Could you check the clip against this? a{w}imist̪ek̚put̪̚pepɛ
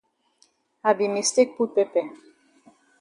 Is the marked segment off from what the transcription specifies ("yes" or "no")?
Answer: yes